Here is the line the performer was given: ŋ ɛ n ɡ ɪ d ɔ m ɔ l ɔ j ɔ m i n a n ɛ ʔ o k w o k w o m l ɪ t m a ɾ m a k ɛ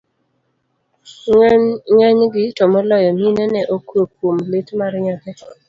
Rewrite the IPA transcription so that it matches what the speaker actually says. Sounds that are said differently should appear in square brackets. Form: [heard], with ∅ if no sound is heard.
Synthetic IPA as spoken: ŋ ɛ [ɲ] ɡ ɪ [t] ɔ m ɔ l ɔ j ɔ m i n [ɛ] n ɛ ʔ o k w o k w o m l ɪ t m a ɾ [ɲ] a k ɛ